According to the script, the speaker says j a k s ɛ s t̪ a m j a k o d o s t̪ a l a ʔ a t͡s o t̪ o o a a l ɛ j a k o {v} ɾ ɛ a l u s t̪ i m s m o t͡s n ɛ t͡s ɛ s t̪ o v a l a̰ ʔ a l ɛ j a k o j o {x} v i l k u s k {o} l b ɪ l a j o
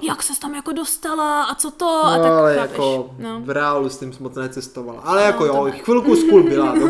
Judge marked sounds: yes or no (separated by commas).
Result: yes, yes, no